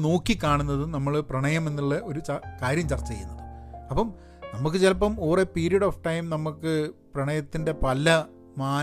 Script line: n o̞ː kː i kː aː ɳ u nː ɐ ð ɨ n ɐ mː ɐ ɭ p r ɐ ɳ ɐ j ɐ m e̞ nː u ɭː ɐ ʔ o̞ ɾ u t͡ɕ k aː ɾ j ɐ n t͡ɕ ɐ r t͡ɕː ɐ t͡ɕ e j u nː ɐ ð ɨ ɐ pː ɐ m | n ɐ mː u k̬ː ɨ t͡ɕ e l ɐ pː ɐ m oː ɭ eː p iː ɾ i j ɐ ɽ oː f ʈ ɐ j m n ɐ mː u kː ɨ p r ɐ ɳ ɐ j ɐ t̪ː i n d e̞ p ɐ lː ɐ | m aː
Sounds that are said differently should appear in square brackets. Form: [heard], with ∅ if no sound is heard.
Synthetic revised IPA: n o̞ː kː i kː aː ɳ u nː ɐ ð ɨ n ɐ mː ɐ ɭ p r ɐ ɳ ɐ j ɐ m e̞ nː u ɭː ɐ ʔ o̞ ɾ u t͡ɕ k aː ɾ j ɐ [m] t͡ɕ ɐ r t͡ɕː ɐ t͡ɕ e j u nː ɐ ð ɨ ɐ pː ɐ m | n ɐ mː u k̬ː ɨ t͡ɕ e l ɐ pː ɐ m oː [r] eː p iː ɾ i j ɐ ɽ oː f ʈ ɐ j m n ɐ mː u kː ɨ p r ɐ ɳ ɐ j ɐ t̪ː i n d e̞ p ɐ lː ɐ | m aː